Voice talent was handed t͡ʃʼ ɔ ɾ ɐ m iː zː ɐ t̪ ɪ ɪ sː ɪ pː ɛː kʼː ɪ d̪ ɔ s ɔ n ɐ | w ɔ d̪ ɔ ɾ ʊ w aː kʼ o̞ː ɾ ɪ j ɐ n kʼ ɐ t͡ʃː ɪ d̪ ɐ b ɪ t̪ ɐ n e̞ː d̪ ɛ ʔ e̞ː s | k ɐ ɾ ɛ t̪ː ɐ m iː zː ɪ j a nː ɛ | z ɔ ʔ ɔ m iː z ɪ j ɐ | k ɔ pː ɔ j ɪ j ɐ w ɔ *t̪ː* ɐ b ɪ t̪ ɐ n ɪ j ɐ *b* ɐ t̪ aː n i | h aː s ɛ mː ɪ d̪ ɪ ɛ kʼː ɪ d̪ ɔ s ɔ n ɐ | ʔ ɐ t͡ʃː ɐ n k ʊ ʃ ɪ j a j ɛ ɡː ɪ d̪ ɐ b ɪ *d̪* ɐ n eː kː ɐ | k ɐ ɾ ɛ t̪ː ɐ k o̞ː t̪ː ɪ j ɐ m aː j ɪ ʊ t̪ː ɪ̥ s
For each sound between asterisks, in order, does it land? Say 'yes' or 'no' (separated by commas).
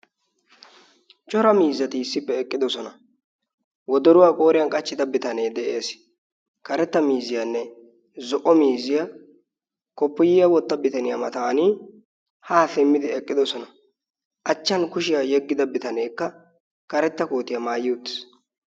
yes, no, no